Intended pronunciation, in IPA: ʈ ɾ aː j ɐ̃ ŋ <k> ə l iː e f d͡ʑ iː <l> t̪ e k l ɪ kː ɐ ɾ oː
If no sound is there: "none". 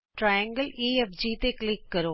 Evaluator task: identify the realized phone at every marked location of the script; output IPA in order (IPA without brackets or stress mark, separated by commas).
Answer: ɡ, none